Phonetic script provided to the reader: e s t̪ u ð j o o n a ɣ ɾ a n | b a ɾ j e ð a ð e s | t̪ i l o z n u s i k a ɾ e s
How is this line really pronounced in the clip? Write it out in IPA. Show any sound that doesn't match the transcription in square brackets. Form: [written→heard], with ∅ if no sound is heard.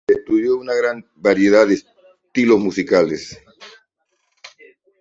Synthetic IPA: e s t̪ u ð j o [o→u] n a ɣ ɾ a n | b a ɾ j e ð a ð e s | t̪ i l o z [n→m] u s i k a [ɾ→l] e s